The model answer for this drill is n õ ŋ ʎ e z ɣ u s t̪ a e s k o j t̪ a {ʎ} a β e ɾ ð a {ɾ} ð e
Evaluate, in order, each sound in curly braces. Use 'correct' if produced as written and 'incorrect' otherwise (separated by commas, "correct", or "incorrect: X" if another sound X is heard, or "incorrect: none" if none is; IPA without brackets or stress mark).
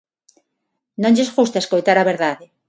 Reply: incorrect: ɾ, incorrect: none